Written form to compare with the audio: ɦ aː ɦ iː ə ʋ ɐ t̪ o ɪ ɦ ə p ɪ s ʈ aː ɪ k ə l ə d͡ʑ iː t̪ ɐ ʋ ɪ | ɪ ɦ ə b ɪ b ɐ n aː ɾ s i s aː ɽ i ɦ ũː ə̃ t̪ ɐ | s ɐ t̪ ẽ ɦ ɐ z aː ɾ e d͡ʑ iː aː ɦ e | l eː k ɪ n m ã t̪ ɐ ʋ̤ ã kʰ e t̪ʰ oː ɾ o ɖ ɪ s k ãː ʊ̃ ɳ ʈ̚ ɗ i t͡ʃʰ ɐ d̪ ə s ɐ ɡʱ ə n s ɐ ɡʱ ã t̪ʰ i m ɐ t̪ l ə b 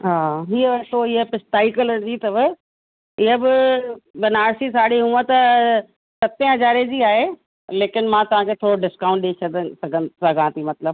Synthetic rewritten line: ɦ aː ɦ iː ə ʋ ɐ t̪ o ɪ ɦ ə p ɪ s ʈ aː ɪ k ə l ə d͡ʑ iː t̪ ɐ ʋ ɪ | ɪ ɦ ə b ɪ b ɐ n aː ɾ s i s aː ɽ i ɦ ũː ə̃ t̪ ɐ | s ɐ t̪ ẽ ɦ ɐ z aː ɾ e d͡ʑ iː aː ɦ e | l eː k ɪ n m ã t̪ ɐ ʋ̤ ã kʰ e t̪ʰ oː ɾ o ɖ ɪ s k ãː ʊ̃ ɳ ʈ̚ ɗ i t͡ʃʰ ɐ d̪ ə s ɐ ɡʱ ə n s ɐ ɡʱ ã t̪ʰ i m ɐ t̪ l ə b